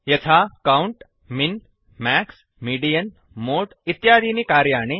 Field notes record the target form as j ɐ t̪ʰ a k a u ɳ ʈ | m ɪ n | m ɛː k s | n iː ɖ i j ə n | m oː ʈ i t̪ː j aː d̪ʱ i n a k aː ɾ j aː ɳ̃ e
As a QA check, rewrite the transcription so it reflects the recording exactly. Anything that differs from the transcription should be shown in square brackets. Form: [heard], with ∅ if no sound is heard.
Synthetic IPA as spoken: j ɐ t̪ʰ a k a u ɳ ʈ | m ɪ n | m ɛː k s | [m] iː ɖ i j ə n | m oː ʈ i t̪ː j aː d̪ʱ i n [i] k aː ɾ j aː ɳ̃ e

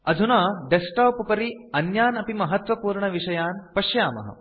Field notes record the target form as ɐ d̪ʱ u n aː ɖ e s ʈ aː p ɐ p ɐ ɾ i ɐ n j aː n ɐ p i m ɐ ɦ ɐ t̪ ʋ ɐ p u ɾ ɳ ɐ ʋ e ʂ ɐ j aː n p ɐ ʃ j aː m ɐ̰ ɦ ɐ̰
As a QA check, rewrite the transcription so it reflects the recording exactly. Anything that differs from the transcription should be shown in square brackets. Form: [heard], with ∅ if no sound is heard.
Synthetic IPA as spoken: ɐ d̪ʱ u n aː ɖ e s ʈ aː p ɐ p ɐ ɾ i ɐ n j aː n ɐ p i m ɐ ɦ ɐ t̪ ʋ ɐ p [uː] ɾ ɳ ɐ ʋ [i] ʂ ɐ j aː n p ɐ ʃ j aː m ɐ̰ ɦ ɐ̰

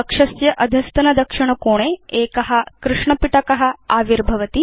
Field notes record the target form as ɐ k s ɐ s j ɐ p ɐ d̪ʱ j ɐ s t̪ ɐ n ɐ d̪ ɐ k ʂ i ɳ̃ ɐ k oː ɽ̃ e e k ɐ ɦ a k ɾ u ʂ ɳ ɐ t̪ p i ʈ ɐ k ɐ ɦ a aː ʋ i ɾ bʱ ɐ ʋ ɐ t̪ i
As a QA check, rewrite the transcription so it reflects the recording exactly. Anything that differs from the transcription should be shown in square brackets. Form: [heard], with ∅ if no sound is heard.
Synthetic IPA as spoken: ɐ k [ʂ] ɐ s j ɐ [ʔ] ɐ d̪ʱ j ɐ s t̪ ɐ n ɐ d̪ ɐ k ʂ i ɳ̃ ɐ k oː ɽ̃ e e k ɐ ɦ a k ɾ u ʂ ɳ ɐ [∅] p i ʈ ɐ k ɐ ɦ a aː ʋ i ɾ bʱ ɐ ʋ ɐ t̪ i

